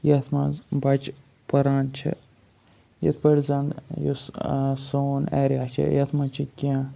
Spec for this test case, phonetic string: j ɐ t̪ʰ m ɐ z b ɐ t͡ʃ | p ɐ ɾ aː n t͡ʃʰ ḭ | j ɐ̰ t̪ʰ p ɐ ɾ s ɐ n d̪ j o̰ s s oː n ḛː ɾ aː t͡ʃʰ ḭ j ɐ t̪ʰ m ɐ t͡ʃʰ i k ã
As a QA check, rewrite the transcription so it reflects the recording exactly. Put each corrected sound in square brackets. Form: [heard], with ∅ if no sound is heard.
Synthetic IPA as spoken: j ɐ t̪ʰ m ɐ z b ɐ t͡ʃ | p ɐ ɾ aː n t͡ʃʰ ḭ | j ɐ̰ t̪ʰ p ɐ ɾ [z] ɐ n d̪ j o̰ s s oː n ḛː ɾ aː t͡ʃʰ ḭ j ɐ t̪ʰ m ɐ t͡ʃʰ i k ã